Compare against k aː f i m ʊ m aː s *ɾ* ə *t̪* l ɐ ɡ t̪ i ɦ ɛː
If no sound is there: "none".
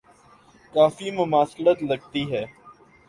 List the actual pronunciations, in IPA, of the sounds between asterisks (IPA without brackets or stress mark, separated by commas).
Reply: l, t̪